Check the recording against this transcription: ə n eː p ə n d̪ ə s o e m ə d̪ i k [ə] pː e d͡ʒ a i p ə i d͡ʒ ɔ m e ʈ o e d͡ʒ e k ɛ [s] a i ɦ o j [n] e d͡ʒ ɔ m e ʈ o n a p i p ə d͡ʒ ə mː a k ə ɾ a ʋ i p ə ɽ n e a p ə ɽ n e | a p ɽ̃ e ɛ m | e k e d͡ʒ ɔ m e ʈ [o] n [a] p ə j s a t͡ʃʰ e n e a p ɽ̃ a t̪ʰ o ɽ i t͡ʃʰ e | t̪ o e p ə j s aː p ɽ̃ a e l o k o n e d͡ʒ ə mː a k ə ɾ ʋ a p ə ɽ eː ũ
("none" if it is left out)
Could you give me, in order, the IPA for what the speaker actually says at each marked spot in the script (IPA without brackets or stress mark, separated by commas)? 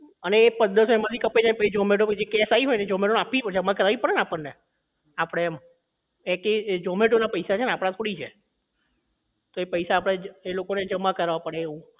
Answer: ə, s, n, o, a